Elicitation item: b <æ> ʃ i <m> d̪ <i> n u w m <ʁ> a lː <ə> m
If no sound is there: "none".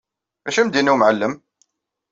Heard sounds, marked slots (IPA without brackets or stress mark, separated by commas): æ, m, i, ʕ, ə